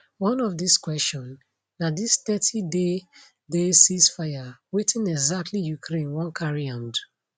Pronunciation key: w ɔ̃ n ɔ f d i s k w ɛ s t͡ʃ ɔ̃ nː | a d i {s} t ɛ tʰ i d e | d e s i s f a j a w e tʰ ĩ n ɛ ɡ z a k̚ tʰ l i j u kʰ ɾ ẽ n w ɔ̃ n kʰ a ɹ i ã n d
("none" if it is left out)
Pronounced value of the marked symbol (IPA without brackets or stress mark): s